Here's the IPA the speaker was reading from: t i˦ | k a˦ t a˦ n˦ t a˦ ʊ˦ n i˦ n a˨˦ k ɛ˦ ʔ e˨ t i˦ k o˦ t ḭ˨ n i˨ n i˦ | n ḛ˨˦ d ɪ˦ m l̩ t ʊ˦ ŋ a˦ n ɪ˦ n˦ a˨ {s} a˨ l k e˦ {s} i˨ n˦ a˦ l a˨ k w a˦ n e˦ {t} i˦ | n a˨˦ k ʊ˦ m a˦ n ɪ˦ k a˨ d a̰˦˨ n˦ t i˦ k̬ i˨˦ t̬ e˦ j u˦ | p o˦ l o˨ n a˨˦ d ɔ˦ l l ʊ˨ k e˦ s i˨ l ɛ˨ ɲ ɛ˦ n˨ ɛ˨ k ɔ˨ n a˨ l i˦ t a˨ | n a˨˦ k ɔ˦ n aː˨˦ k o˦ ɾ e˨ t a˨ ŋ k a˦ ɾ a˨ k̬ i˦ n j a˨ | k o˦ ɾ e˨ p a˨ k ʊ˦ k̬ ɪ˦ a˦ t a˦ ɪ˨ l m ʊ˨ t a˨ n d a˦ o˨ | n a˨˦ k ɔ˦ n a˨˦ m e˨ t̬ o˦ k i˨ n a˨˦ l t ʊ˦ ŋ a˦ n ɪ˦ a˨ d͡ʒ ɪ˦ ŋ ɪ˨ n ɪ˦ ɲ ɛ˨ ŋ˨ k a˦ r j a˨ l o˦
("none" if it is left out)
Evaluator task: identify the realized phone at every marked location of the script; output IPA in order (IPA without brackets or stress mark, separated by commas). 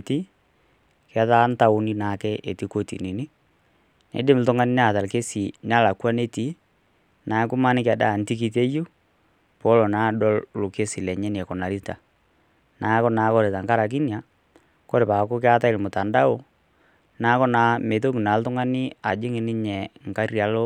t, s, t